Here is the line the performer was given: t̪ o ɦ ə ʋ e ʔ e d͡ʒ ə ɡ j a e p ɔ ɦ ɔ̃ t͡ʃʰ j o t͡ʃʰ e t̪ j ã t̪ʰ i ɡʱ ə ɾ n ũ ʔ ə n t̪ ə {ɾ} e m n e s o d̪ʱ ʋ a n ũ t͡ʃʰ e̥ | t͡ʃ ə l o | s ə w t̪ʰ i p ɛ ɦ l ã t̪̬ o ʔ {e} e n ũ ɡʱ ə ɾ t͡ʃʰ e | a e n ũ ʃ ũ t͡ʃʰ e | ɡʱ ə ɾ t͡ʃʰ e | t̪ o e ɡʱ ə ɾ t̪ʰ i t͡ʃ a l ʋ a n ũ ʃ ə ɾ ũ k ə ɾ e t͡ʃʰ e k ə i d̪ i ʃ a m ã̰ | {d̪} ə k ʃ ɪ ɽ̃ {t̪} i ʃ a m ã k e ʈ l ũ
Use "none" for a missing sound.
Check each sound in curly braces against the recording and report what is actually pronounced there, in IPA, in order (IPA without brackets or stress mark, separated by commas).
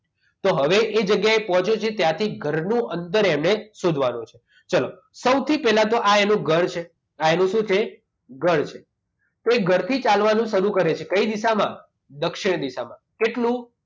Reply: ɾ, a, d̪, d̪